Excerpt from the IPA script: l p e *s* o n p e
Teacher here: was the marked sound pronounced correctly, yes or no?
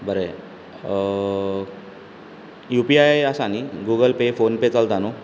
no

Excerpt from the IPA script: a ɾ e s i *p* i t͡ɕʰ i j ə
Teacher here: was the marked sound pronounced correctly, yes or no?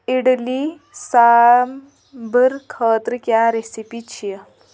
yes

